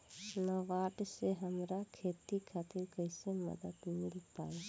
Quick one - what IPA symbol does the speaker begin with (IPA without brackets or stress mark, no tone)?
n